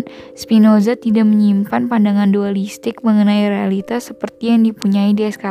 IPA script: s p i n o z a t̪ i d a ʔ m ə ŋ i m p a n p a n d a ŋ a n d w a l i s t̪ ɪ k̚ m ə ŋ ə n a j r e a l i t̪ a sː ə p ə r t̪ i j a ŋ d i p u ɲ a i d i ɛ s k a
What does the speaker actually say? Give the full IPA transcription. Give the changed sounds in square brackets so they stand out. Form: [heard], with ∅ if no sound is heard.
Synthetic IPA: s p i n o z a t̪ i d a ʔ m ə [ɲ] i m p a n p a n d a ŋ a n d [u] a l i s t̪ ɪ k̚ m ə ŋ ə n a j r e a l i t̪ a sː ə p ə r t̪ i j a ŋ d i p u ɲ a i d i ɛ s k a